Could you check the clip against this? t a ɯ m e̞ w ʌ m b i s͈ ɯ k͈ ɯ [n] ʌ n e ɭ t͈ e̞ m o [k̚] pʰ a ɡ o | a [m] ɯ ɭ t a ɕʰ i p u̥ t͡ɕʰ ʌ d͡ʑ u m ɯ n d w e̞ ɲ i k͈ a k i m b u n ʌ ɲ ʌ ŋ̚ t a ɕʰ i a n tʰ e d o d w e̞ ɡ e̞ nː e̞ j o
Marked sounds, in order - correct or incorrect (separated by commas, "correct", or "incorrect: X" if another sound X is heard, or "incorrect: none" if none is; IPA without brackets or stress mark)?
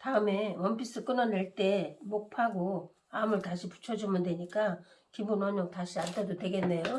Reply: correct, correct, correct